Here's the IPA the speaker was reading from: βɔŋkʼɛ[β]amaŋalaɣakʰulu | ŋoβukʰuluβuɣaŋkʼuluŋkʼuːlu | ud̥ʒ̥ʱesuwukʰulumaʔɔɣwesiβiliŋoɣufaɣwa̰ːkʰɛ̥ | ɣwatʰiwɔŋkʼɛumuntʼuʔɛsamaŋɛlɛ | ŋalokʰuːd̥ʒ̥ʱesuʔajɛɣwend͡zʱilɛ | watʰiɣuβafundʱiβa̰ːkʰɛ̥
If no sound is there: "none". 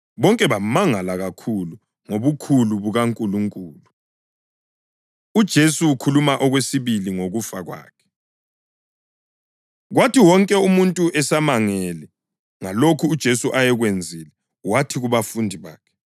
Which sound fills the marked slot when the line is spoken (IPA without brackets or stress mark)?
β